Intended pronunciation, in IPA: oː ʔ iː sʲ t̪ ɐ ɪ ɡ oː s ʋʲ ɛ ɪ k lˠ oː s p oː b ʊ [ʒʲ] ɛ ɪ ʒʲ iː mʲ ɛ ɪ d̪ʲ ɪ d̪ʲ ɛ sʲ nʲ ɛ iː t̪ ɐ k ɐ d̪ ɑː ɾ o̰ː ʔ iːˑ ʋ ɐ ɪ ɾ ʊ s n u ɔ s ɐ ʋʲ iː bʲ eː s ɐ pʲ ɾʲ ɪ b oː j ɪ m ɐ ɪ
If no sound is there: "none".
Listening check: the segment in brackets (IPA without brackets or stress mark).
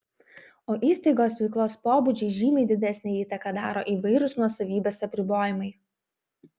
d͡ʒʲ